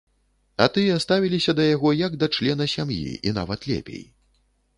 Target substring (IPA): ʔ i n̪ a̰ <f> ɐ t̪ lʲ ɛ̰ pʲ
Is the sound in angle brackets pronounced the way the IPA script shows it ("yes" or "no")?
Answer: no